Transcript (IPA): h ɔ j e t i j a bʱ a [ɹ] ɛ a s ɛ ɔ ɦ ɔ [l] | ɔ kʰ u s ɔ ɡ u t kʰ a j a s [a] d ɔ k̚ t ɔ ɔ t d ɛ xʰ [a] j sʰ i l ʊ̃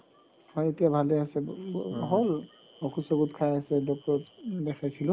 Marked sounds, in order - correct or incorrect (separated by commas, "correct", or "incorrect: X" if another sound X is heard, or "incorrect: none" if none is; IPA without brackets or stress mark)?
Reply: incorrect: l, correct, incorrect: ɛ, correct